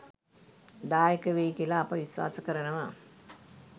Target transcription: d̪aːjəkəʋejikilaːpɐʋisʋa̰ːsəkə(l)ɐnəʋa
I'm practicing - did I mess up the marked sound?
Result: yes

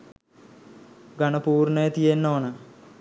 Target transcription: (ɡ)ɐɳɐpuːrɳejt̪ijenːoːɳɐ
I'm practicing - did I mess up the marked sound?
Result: no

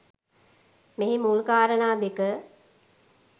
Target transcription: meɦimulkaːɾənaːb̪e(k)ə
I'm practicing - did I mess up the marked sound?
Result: no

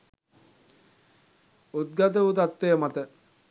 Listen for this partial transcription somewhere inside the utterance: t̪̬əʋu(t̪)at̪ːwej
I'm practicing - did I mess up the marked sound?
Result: no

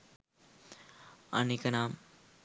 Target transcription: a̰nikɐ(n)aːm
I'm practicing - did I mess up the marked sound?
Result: no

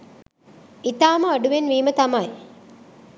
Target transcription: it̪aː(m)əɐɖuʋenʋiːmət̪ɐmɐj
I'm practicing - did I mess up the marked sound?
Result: no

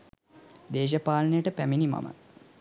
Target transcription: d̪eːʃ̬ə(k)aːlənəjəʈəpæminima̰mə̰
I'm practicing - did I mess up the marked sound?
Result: yes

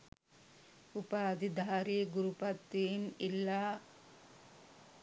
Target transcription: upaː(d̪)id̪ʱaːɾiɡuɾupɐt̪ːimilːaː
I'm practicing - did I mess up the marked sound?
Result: no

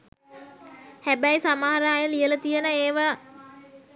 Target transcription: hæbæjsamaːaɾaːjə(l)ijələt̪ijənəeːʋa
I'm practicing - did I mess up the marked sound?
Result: no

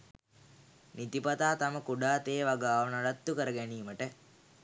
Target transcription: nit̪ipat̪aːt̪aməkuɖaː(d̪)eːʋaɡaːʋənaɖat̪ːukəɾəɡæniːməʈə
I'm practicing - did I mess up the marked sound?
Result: yes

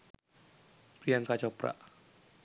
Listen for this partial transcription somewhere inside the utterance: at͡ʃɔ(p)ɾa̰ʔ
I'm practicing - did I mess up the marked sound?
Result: no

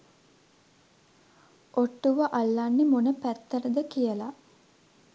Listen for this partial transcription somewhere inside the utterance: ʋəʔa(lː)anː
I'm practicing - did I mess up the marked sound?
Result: no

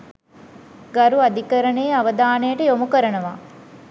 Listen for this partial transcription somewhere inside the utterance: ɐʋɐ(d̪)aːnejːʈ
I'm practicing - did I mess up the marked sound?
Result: no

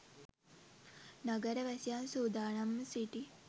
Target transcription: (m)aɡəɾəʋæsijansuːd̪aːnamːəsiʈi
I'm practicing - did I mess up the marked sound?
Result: yes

